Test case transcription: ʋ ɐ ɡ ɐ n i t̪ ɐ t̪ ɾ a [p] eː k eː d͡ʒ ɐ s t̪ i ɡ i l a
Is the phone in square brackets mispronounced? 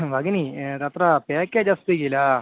no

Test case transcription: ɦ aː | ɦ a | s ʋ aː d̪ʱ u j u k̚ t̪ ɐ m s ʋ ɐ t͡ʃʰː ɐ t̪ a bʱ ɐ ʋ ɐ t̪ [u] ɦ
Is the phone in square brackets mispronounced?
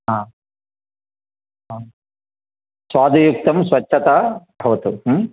no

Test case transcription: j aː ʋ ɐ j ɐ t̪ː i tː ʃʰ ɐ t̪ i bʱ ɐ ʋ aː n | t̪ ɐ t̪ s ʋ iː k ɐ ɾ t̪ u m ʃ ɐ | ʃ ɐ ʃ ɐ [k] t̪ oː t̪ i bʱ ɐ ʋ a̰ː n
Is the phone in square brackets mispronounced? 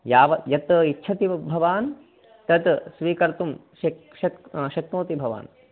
no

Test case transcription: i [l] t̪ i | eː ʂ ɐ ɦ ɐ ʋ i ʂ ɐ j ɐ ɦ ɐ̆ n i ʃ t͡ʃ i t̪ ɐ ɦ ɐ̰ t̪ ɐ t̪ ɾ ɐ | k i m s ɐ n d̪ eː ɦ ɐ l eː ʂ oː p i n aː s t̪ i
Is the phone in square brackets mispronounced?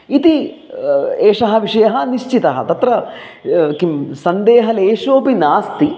yes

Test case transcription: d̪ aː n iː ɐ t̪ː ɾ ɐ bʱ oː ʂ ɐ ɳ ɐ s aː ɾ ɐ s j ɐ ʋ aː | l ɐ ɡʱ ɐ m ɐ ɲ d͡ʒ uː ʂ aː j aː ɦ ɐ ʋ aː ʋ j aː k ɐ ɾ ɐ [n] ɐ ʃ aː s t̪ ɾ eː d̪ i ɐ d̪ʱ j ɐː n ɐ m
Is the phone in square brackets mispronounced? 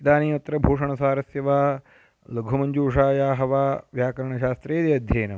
yes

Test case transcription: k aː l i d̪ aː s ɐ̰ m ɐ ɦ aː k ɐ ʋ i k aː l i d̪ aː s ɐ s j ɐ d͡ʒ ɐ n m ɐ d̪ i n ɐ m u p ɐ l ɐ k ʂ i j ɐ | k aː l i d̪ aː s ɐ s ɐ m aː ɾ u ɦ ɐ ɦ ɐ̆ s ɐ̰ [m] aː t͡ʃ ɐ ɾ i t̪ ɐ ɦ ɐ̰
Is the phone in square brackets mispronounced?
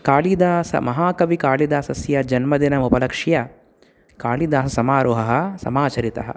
no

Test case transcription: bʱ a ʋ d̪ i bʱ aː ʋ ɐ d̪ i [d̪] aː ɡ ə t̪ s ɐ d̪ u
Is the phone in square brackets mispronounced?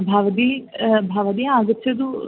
yes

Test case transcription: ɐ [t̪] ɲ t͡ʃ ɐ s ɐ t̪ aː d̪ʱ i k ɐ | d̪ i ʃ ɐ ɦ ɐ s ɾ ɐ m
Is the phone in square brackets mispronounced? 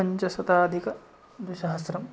yes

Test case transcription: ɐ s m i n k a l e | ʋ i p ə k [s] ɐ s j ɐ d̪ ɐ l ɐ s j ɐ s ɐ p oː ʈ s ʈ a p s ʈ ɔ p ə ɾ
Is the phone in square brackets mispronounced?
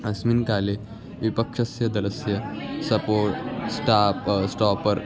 yes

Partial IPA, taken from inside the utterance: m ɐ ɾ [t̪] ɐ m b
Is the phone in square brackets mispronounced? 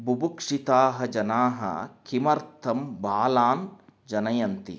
yes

